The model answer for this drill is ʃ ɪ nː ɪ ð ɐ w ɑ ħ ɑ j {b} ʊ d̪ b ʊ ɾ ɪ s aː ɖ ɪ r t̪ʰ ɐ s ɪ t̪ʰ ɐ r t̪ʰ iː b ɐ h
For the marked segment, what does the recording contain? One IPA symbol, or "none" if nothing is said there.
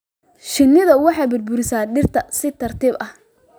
b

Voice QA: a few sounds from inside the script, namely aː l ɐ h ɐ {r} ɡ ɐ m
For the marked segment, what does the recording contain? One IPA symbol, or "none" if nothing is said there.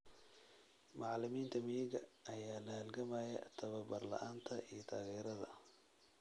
l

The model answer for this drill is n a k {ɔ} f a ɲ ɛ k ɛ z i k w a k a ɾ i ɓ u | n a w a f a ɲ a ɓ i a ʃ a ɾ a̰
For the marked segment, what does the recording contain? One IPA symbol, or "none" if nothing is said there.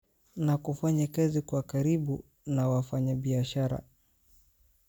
u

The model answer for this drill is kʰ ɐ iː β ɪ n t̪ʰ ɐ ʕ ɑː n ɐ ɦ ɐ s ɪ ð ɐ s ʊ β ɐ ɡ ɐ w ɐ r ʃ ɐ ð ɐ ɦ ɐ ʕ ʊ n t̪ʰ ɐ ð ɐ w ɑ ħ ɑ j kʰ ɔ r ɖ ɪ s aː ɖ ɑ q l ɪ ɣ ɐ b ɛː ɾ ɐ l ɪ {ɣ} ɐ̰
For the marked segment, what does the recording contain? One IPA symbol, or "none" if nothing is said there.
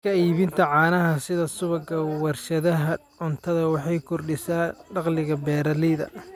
ð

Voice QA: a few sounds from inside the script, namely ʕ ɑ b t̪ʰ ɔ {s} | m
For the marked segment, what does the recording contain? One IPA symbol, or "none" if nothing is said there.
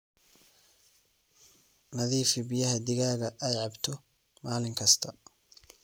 none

